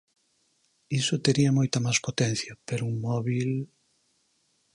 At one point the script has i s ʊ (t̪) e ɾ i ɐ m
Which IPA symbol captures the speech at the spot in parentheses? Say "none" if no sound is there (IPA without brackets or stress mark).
t̪